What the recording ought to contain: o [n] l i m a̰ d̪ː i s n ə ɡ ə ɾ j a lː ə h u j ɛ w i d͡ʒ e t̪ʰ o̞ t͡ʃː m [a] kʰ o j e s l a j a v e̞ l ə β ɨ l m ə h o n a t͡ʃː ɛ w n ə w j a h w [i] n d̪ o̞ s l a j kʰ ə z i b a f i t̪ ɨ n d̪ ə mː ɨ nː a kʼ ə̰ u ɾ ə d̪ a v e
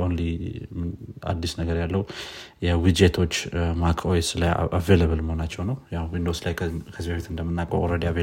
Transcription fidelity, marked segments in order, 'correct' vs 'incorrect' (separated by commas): correct, correct, correct